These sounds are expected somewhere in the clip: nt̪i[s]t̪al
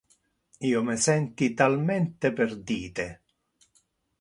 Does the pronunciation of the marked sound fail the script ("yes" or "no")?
yes